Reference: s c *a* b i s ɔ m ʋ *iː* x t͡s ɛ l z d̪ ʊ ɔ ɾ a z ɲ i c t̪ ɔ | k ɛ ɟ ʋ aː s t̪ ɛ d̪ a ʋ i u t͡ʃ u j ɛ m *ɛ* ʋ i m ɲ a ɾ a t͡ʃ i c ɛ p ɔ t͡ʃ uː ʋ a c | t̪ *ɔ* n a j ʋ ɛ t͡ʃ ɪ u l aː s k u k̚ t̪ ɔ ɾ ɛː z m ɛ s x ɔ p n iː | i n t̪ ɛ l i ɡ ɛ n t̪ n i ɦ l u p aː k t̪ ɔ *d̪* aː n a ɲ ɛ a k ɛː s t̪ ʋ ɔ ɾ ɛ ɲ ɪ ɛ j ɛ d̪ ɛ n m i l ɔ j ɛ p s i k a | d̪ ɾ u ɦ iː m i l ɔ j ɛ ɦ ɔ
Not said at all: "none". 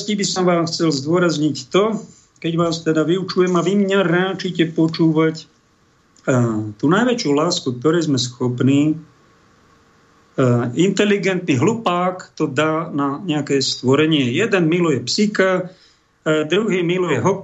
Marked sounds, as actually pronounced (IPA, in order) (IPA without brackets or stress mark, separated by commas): i, aː, a, u, d̪